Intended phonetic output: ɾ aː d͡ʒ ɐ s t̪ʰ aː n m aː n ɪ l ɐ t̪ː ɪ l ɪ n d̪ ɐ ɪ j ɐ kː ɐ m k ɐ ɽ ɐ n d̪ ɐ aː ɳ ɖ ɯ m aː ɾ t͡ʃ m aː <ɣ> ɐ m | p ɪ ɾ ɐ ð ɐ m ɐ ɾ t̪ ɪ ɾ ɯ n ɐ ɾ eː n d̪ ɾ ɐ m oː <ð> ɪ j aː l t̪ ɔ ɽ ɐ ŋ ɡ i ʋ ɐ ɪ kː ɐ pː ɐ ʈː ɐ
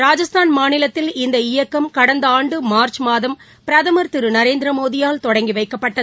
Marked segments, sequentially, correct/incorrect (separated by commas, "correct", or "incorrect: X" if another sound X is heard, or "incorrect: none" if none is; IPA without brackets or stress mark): incorrect: ð, correct